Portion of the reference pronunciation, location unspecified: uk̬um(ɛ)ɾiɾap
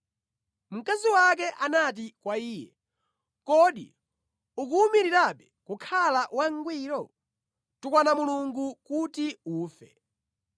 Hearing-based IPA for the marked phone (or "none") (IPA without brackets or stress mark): i